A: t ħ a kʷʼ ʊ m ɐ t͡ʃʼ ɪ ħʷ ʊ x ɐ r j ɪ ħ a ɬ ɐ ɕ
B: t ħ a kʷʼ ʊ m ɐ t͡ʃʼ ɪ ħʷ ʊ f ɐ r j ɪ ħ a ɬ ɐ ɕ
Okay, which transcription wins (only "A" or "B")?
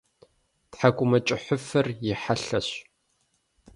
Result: B